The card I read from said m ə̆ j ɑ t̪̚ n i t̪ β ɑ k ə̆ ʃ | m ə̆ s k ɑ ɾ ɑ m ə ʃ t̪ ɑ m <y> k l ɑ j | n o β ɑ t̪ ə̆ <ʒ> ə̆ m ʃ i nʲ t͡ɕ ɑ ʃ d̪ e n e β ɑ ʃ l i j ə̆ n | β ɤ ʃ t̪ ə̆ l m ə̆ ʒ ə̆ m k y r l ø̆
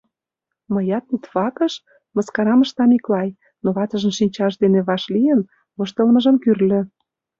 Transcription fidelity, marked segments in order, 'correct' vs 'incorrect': incorrect: i, correct

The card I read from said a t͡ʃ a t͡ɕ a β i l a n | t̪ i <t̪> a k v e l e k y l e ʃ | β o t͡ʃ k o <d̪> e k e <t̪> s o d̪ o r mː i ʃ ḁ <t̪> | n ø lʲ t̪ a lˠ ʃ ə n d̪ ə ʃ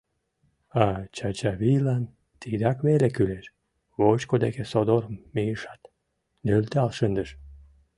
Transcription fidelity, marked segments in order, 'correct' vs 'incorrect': incorrect: d̪, correct, incorrect: none, correct

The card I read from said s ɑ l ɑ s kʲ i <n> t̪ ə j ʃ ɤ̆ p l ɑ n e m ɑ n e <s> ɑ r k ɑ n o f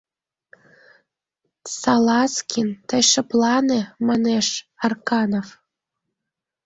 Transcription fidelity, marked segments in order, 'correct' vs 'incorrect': correct, incorrect: ʃ

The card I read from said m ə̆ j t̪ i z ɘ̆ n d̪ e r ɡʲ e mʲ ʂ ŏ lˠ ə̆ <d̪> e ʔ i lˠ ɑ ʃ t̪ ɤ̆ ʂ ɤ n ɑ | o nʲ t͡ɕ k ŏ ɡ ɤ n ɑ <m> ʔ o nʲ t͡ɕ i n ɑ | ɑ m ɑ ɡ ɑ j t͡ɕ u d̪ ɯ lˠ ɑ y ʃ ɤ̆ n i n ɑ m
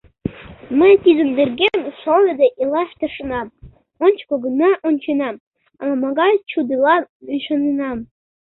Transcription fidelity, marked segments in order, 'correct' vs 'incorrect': correct, incorrect: none

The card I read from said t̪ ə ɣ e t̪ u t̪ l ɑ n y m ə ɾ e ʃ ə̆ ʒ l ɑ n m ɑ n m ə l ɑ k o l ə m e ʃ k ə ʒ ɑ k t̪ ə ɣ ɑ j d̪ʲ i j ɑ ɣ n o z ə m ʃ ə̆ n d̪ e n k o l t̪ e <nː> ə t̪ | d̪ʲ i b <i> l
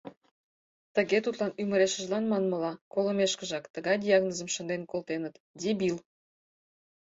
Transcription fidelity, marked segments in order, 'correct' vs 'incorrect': incorrect: n, correct

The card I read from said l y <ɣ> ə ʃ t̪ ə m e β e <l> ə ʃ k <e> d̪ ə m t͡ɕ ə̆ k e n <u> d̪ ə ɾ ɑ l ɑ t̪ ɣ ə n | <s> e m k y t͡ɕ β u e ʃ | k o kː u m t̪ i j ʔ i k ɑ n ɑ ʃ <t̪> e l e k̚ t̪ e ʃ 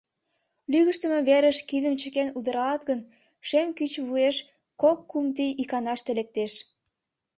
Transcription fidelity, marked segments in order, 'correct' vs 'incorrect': correct, incorrect: ɾ, incorrect: i, correct, incorrect: ʃ, correct

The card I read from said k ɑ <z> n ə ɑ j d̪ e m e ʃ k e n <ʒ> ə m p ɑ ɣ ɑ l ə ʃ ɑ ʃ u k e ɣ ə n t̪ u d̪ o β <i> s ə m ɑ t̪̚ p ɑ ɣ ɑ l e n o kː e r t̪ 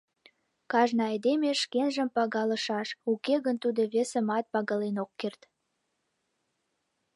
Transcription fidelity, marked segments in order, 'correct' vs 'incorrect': incorrect: ʒ, correct, incorrect: e

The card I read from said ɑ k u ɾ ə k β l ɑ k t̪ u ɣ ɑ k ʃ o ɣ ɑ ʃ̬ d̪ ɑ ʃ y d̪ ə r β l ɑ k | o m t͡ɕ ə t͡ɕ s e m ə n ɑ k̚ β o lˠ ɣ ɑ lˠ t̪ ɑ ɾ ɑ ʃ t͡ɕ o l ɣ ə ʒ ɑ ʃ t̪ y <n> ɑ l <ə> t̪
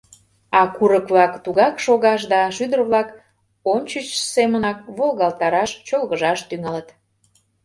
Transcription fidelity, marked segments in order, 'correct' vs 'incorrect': incorrect: ŋ, correct

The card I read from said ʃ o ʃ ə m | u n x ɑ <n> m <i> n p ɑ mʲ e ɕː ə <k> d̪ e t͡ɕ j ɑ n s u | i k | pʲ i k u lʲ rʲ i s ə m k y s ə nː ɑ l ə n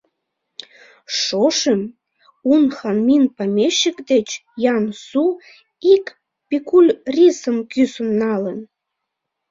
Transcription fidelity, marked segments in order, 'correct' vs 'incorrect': correct, correct, correct

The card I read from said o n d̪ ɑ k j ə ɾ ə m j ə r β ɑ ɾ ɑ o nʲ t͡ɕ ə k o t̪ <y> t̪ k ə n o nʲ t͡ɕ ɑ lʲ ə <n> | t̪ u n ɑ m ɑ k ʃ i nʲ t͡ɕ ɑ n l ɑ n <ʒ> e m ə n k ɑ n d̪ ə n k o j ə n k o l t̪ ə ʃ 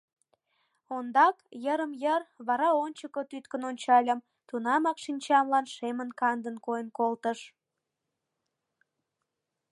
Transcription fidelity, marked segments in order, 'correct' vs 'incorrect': correct, incorrect: m, incorrect: ʃ

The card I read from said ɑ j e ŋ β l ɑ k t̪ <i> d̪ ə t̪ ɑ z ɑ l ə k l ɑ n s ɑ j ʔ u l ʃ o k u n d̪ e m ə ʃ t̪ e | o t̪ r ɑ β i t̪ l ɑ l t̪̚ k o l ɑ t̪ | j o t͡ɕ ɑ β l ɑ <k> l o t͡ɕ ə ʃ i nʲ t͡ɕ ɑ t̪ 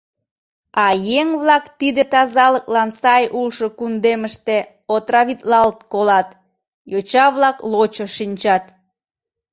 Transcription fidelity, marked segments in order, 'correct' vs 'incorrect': correct, correct

